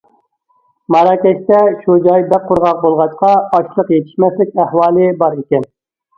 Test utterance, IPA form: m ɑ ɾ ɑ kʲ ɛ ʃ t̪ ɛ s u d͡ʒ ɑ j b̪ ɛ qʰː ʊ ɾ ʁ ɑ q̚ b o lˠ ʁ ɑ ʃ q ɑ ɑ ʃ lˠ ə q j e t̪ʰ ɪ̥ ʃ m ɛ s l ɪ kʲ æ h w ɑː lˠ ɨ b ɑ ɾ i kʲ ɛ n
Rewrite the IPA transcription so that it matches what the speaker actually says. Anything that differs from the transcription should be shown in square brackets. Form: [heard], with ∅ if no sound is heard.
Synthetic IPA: m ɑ ɾ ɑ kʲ ɛ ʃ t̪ ɛ [ʃ] u d͡ʒ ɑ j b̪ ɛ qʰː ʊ ɾ ʁ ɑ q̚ b o lˠ ʁ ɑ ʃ q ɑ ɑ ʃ lˠ ə q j e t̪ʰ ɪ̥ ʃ m ɛ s l ɪ kʲ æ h w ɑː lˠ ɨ b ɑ ɾ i kʲ ɛ n